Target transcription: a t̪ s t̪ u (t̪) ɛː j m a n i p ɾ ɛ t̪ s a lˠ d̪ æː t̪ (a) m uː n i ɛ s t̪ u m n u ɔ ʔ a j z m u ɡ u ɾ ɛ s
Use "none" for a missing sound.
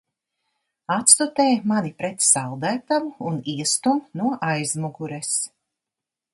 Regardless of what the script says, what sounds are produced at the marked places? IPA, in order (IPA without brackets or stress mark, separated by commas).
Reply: t̪, a